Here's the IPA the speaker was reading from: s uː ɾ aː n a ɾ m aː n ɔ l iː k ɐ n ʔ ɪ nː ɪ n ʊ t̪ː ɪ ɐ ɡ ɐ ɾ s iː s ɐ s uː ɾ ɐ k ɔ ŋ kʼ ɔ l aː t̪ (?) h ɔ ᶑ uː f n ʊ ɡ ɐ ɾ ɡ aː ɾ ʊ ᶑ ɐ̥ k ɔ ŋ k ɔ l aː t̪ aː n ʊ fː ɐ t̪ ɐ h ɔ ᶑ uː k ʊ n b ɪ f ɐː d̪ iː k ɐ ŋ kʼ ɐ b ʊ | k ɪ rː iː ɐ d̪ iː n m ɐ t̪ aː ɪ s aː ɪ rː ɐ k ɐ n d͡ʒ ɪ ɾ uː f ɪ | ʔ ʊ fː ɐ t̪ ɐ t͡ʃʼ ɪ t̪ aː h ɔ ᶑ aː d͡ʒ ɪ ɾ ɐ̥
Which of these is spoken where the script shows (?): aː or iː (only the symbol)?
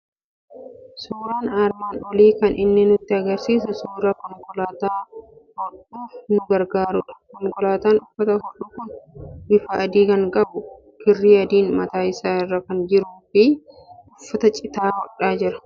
aː